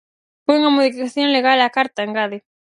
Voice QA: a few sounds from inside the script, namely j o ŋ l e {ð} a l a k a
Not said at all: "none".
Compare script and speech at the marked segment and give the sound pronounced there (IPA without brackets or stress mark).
ɣ